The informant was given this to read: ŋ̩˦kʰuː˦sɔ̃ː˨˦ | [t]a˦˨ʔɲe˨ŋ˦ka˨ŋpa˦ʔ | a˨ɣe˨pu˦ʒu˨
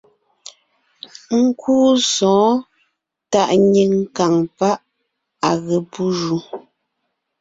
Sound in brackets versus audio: correct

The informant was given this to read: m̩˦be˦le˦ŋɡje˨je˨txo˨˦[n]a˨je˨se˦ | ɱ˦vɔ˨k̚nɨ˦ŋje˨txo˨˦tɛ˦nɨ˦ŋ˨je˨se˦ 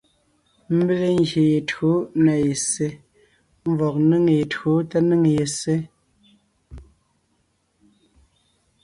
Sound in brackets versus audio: correct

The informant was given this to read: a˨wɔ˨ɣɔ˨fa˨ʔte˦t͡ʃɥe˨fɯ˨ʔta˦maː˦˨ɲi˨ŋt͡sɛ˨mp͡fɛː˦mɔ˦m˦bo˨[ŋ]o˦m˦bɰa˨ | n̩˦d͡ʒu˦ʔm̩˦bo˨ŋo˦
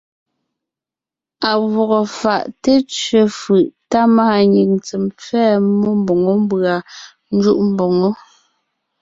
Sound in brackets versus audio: correct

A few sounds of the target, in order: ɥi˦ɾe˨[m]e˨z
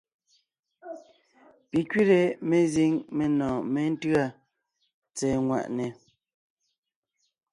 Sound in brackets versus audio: correct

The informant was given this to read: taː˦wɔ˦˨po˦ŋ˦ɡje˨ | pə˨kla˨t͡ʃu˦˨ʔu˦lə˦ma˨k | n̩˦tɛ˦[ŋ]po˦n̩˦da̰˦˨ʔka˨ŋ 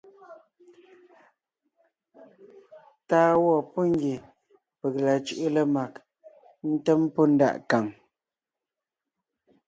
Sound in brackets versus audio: incorrect: m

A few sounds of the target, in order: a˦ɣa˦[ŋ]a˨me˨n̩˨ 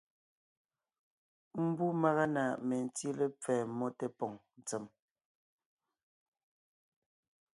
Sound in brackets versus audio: incorrect: n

